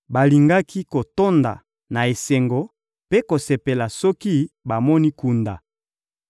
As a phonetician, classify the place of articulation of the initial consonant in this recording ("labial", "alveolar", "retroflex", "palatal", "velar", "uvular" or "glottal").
labial